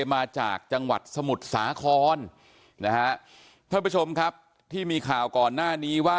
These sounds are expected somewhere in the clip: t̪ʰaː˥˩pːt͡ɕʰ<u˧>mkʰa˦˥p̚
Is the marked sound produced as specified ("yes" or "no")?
no